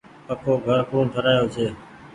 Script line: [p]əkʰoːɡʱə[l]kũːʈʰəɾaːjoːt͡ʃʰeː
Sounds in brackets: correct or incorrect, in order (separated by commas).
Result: correct, incorrect